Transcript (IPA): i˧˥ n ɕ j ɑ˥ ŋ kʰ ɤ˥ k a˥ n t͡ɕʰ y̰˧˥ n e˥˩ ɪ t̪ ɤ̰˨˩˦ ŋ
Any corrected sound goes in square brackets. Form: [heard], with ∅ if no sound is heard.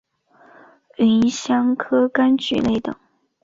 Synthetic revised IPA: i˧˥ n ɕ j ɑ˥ ŋ kʰ ɤ˥ k a˥ n [t͡ɕ] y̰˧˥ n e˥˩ ɪ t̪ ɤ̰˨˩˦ ŋ